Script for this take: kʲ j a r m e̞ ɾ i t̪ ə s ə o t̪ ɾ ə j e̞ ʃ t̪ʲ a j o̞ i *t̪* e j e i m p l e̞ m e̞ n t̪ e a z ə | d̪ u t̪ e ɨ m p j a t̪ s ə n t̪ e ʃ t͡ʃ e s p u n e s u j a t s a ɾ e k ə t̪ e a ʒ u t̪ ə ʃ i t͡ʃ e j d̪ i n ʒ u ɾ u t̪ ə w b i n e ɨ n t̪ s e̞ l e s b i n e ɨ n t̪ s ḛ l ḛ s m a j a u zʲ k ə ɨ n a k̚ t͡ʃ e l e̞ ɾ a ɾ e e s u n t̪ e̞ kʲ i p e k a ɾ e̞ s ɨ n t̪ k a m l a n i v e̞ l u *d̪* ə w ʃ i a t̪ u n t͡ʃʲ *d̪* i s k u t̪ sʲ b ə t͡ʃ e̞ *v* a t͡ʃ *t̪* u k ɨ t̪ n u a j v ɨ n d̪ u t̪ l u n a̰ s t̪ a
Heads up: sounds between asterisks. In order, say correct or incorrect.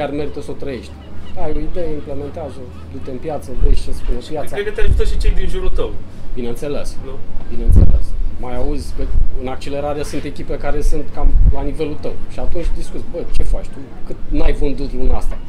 incorrect: d̪, incorrect: t̪, correct, incorrect: f, correct

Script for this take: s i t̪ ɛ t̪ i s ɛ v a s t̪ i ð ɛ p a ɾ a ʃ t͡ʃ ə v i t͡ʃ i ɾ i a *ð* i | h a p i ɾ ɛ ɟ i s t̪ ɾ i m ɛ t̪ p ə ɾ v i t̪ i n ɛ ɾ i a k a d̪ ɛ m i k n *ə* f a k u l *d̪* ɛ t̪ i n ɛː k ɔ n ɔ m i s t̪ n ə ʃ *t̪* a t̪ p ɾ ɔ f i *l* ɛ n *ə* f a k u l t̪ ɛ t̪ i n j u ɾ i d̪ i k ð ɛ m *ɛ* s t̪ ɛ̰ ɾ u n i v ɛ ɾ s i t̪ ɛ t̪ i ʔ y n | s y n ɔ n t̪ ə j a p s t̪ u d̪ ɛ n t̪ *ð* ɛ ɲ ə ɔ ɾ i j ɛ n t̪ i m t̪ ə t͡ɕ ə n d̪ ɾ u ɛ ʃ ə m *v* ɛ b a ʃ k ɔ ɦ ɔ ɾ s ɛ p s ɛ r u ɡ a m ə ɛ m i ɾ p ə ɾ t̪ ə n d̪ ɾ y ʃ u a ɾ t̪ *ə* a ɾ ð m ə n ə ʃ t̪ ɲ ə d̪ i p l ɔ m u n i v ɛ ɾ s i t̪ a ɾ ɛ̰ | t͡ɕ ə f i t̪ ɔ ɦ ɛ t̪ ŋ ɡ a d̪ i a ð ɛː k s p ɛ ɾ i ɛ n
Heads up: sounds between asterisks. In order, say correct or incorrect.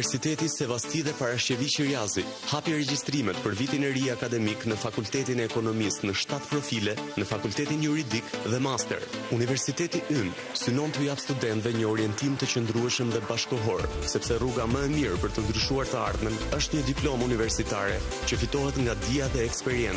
incorrect: z, correct, incorrect: t̪, correct, correct, correct, incorrect: a, incorrect: v, incorrect: ð, correct

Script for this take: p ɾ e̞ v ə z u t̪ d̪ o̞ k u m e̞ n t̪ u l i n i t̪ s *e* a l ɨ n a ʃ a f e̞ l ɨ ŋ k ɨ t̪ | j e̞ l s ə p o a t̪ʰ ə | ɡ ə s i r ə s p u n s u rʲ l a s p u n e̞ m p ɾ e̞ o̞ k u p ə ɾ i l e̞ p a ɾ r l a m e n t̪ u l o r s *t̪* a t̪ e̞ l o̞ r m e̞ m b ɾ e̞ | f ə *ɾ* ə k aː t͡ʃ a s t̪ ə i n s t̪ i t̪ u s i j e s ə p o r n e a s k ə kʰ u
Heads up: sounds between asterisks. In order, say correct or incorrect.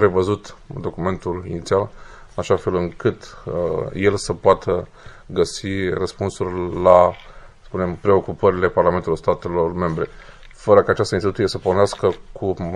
incorrect: i, correct, correct

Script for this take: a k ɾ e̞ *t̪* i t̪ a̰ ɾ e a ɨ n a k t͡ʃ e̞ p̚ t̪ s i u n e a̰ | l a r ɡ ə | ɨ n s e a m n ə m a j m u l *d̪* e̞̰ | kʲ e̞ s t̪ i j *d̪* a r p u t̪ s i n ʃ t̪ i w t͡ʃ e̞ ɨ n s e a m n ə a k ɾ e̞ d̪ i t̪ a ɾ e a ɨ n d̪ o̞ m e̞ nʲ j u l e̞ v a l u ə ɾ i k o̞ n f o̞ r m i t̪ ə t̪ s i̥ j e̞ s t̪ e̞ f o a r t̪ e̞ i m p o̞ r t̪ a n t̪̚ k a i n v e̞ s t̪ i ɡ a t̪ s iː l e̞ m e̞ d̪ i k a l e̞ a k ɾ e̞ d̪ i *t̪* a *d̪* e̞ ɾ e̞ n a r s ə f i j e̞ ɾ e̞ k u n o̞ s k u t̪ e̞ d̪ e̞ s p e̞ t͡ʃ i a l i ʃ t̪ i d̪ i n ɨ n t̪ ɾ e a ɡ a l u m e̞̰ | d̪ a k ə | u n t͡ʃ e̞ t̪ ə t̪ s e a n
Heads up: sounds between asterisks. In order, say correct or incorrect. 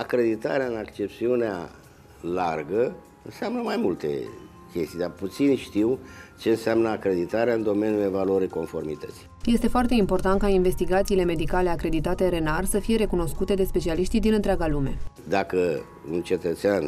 incorrect: d̪, incorrect: t̪, correct, correct, incorrect: t̪

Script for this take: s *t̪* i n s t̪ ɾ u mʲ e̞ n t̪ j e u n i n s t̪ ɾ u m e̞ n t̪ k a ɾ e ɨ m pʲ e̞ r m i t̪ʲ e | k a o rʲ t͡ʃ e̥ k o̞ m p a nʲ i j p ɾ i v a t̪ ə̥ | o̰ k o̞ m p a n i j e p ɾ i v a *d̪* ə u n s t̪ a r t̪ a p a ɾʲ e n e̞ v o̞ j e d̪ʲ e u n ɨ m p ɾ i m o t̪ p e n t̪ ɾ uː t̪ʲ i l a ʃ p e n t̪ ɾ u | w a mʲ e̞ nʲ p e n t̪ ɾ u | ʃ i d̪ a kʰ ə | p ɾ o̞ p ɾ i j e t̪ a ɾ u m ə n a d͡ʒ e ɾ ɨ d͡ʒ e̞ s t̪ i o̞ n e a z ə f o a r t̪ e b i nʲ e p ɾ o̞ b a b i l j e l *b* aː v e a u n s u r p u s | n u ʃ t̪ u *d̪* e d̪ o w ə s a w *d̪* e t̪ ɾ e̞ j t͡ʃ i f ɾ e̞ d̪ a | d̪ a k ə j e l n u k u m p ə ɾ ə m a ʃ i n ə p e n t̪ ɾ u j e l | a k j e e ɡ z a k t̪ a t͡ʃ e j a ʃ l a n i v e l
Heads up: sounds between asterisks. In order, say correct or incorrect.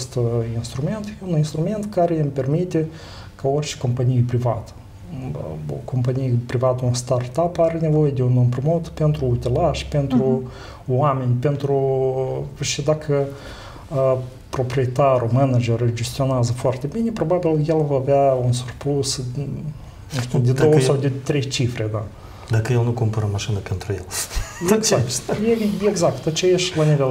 correct, incorrect: t̪, incorrect: v, correct, correct

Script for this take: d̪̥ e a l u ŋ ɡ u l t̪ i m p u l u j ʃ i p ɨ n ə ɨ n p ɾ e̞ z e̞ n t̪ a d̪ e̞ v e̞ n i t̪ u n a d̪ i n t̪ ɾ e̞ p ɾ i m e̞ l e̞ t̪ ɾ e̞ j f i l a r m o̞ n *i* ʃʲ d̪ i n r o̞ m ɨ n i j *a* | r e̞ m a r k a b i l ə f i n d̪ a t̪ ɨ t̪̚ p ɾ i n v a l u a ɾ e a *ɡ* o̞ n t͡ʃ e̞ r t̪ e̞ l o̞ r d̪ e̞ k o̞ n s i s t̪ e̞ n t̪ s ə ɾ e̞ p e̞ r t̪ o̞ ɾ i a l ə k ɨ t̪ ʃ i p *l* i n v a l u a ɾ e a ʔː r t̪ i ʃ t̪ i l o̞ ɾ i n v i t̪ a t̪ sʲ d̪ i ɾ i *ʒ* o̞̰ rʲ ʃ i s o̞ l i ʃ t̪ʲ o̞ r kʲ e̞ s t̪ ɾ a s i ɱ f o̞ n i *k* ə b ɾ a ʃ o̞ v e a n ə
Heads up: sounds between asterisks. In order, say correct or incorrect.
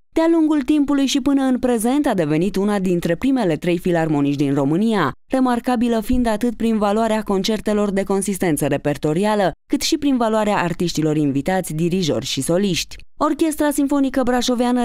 correct, correct, incorrect: k, incorrect: ɾ, correct, correct

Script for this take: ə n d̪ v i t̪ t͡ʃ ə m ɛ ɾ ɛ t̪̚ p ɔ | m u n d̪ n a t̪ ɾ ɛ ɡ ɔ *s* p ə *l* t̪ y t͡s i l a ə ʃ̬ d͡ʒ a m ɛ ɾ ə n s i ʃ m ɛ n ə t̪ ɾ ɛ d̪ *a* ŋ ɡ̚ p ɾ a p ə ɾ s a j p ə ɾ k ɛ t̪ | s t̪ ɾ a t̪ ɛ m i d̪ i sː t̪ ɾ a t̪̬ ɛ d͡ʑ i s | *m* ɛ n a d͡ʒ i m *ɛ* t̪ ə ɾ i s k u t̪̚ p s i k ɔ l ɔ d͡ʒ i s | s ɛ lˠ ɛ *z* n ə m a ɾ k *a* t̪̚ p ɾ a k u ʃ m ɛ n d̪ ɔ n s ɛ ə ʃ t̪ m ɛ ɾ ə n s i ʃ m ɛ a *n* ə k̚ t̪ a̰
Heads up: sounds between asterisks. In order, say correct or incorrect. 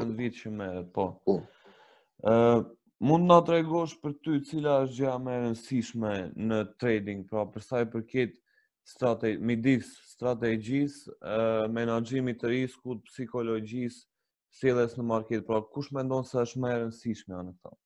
incorrect: ʃ, incorrect: ɾ, incorrect: i, correct, incorrect: i, incorrect: s, incorrect: ɛ, correct

